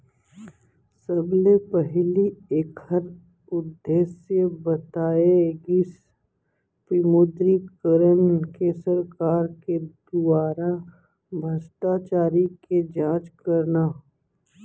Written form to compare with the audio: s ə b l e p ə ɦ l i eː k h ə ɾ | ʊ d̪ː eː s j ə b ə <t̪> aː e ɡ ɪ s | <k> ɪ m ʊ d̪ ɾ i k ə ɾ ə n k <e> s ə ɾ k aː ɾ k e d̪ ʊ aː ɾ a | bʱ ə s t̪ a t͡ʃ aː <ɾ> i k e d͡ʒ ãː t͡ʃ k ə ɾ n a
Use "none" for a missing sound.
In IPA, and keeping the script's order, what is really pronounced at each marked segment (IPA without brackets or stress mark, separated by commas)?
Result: t̪, p, e, ɾ